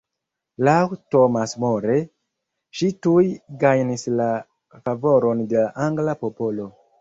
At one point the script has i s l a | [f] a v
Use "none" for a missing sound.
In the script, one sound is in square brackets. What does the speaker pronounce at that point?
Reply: f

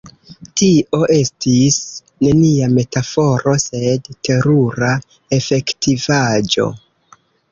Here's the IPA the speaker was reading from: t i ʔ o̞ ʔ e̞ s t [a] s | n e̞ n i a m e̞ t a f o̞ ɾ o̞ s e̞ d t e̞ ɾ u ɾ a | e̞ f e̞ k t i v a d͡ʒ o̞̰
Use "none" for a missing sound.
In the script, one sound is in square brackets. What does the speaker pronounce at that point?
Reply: i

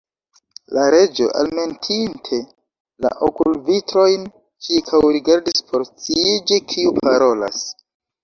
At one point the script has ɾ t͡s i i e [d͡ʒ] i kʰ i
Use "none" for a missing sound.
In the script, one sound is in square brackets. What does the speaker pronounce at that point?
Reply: d͡ʒ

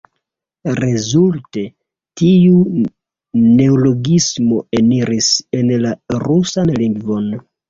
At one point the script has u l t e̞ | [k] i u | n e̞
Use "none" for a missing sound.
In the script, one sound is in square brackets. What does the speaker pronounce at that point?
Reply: t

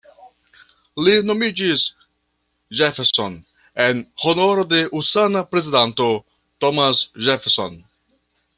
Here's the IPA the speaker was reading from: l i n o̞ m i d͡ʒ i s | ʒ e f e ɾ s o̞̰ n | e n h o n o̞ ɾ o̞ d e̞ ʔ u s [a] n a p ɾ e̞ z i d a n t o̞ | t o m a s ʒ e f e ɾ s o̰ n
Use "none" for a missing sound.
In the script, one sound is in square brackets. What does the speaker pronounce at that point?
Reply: a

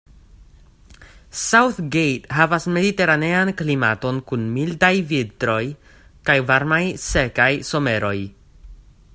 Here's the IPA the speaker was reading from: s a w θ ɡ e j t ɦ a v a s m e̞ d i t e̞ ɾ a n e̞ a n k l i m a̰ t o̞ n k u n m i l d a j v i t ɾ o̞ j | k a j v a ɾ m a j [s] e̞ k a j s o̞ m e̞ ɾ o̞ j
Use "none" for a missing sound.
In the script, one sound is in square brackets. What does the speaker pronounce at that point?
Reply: s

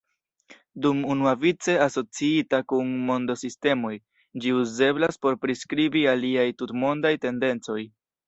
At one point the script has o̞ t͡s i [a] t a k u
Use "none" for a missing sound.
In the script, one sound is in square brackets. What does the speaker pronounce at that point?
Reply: i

